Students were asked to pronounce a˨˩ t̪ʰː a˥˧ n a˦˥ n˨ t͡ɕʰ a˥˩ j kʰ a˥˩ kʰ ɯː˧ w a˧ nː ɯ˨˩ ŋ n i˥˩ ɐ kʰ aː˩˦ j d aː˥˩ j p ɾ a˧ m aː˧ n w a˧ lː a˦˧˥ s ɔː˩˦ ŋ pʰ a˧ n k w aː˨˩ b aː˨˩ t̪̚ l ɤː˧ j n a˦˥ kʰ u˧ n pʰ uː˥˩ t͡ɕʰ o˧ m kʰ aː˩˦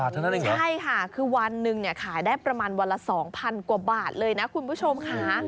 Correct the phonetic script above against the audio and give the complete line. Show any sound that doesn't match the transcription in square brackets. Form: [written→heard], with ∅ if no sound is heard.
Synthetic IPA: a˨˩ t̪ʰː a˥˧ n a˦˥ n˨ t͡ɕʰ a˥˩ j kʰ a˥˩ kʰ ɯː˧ w a˧ nː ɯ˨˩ ŋ n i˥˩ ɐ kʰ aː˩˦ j d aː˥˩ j p ɾ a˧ m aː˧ n w a˧ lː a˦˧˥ s ɔː˩˦ ŋ pʰ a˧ n k w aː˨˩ b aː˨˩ t̪̚ l ɤː˧ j n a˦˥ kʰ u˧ n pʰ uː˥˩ t͡ɕʰ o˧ m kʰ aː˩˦